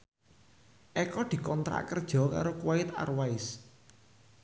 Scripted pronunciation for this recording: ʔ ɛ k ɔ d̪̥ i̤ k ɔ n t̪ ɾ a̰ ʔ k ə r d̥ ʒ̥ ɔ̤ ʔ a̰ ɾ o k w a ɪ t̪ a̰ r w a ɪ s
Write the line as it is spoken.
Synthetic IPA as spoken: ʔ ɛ k ɔ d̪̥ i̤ k ɔ n t̪ ɾ a̰ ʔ k ə r d̥ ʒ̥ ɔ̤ k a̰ ɾ o k w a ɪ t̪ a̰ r w a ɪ s